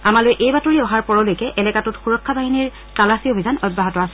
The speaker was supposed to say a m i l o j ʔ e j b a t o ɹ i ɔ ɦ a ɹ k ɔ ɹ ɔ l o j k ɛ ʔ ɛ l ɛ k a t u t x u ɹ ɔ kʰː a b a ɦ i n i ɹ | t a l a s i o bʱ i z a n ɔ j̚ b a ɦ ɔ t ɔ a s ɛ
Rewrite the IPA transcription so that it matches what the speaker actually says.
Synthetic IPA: a m a l o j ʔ e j b a t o ɹ i ɔ ɦ a ɹ p ɔ ɹ ɔ l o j k ɛ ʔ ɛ l ɛ k a t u t x u ɹ ɔ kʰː a b a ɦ i n i ɹ | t a l a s i o bʱ i z a n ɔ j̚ b a ɦ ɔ t ɔ a s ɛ